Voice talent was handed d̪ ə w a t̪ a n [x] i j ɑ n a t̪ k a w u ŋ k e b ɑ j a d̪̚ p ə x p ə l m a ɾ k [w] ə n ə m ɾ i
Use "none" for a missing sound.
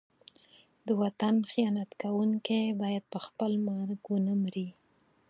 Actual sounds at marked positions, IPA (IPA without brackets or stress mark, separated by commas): x, w